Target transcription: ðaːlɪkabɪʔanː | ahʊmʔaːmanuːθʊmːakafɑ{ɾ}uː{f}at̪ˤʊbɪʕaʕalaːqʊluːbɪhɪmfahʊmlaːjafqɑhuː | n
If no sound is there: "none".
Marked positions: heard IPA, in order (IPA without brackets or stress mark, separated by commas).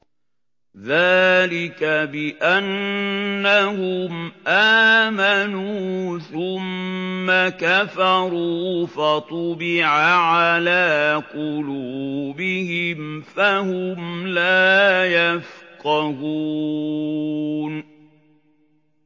ɾ, f